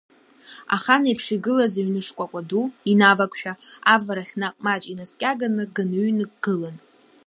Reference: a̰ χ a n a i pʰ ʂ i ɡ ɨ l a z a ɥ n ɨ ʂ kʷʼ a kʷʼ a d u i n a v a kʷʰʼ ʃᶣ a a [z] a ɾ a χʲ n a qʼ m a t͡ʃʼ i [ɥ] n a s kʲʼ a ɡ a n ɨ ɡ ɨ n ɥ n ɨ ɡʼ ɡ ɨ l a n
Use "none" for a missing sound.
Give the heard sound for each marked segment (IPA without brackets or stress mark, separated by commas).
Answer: v, none